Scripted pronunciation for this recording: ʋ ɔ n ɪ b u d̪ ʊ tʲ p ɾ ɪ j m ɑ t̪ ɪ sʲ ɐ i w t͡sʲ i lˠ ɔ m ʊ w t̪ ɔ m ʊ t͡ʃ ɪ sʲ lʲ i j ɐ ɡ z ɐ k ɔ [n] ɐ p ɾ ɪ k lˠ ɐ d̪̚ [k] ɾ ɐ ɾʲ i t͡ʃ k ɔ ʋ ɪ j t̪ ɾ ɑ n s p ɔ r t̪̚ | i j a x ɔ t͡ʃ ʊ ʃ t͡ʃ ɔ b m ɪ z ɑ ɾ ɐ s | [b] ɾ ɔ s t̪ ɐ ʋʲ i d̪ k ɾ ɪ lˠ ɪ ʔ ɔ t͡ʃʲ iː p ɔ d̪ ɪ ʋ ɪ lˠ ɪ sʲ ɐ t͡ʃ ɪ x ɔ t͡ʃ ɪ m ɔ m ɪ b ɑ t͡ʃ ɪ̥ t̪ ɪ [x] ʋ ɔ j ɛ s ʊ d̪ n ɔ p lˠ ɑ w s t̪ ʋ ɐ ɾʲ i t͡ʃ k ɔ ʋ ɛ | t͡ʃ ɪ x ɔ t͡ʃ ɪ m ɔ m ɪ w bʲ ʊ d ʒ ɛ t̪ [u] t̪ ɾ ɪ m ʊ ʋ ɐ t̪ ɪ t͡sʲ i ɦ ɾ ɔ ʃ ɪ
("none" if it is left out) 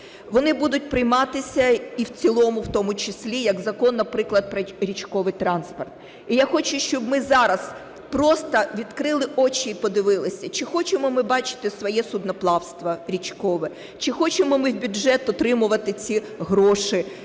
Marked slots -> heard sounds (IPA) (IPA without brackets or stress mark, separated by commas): nː, p, p, s, ɔ